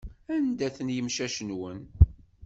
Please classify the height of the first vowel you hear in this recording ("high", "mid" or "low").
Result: low